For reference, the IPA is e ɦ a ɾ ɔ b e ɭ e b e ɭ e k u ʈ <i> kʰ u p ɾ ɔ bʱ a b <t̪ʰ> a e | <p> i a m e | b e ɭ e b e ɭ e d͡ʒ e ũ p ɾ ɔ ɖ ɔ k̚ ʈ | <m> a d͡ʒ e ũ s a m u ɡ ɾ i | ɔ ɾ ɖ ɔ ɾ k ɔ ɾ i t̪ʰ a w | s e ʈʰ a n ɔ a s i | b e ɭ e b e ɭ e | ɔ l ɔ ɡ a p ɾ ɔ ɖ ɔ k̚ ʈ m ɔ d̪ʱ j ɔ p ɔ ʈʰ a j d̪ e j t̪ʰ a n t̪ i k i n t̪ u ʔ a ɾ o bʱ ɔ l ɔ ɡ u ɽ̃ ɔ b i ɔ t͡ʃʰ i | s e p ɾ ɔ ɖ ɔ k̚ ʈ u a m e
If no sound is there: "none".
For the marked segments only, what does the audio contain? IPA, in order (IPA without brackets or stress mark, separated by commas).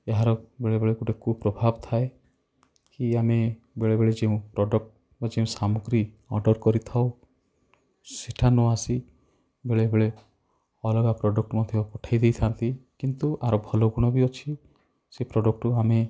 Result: e, t̪ʰ, k, b